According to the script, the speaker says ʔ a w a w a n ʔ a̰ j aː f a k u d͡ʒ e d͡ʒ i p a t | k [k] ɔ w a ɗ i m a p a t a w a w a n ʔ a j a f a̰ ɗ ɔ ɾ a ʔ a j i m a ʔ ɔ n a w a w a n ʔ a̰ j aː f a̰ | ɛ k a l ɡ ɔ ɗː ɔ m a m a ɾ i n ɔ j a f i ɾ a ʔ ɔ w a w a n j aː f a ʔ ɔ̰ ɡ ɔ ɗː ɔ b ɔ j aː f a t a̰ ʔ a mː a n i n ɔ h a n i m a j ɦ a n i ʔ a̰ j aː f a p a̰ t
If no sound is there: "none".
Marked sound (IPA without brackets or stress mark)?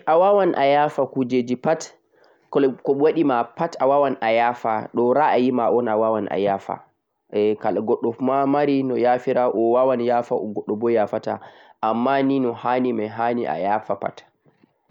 k